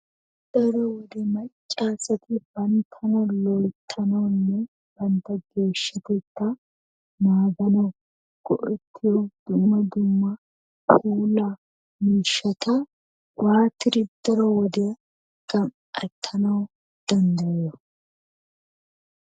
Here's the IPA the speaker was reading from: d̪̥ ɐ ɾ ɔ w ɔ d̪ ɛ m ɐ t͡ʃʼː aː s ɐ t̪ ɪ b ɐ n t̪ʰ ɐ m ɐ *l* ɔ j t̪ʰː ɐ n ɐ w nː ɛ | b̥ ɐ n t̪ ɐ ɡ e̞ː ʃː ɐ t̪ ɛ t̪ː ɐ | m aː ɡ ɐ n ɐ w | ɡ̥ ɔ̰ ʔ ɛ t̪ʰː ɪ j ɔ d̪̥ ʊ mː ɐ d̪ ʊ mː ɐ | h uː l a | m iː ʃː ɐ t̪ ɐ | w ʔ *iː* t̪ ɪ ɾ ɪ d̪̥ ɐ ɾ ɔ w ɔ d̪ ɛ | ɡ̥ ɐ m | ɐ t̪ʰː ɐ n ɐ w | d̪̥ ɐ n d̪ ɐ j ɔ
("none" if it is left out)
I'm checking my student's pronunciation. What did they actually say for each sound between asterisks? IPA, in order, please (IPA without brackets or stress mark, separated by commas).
l, aː